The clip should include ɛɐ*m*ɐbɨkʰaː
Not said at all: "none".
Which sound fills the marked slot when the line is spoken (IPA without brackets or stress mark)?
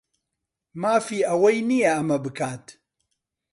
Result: m